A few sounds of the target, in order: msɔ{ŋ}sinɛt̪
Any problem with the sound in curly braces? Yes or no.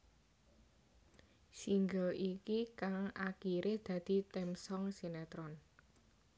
no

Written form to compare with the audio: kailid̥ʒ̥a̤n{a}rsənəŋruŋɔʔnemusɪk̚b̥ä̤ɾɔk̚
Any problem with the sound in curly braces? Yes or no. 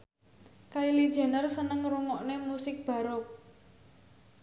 yes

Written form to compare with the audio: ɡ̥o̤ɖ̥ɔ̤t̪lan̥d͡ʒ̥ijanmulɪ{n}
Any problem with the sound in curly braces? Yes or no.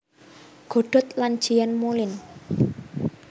no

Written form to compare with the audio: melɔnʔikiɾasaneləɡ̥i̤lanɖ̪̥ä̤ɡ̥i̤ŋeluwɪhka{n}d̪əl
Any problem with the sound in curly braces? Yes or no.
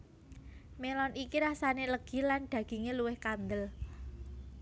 no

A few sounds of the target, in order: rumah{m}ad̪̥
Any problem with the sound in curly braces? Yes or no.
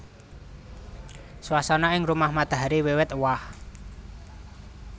no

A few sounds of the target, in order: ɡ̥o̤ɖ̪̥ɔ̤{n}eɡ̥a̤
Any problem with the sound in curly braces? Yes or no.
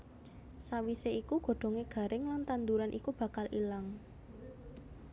yes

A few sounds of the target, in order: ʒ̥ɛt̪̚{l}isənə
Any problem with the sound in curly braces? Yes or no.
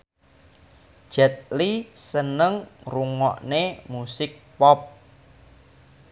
no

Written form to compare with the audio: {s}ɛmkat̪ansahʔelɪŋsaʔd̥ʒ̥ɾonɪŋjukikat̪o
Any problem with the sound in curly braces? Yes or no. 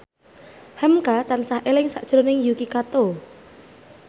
yes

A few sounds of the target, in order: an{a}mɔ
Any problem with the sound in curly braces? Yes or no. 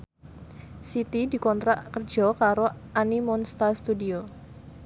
yes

